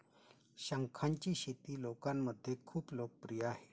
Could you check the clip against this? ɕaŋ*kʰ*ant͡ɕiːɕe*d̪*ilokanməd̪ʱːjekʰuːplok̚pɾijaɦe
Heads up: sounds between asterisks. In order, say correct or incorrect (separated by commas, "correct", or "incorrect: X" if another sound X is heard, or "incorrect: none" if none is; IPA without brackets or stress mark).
correct, incorrect: t̪